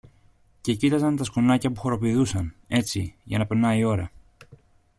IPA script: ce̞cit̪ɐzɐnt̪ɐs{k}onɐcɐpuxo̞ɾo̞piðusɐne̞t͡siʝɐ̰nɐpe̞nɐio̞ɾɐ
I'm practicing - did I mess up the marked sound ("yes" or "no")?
no